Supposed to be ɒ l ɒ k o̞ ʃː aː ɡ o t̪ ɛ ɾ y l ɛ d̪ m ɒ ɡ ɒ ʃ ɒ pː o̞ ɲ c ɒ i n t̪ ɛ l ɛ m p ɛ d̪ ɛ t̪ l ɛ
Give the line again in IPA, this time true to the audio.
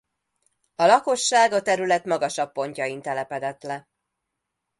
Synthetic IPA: ɒ l ɒ k o̞ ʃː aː ɡ ɒ t̪ ɛ ɾ y l ɛ t̪ m ɒ ɡ ɒ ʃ ɒ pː o̞ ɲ c ɒ i n t̪ ɛ l ɛ p ɛ d̪ ɛ t̪ l ɛ

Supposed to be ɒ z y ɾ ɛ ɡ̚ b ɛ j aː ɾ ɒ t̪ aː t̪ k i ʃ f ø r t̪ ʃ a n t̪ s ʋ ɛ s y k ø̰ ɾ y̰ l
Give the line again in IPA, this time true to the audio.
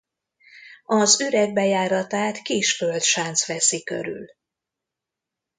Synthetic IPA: ɒ z y ɾ ɛ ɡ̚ b ɛ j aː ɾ ɒ t̪ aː t̪ k i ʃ f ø l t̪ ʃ a n t̪ s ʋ ɛ s i k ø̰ ɾ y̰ l

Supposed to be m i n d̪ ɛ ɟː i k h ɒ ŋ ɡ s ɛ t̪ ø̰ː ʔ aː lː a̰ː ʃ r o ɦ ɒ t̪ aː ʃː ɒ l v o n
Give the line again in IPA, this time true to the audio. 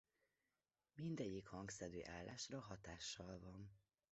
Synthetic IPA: m i n d̪ ɛ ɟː i k h ɒ ŋ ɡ s ɛ d̪ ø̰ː ʔ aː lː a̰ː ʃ r ɒ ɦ ɒ t̪ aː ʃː ɒ l v ɒ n

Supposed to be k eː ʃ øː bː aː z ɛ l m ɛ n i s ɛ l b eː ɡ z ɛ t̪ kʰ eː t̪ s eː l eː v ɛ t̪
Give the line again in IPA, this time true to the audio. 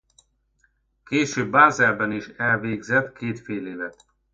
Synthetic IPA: k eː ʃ øː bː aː z ɛ l b ɛ n i ʃ ɛ l v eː ɡ z ɛ t̪ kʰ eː t̪ f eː l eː v ɛ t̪

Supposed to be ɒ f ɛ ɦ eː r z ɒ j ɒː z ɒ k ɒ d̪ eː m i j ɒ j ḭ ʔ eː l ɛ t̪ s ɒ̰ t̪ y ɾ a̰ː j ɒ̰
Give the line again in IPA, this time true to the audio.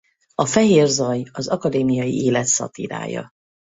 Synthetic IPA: ɒ f ɛ ɦ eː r z ɒ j ɒ z ɒ k ɒ d̪ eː m i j ɒ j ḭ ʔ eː l ɛ t̪ s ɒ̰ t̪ i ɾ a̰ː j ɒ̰

